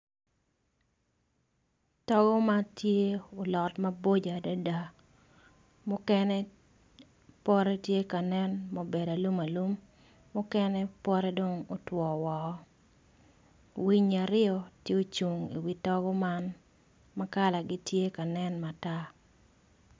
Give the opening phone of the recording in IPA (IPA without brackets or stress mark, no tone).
t